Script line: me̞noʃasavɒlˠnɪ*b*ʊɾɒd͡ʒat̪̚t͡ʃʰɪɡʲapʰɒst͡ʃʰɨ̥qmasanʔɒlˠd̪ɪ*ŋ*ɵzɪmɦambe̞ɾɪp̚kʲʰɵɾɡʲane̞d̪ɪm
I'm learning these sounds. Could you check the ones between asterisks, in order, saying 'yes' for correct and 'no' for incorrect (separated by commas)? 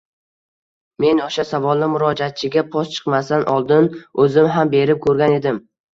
no, no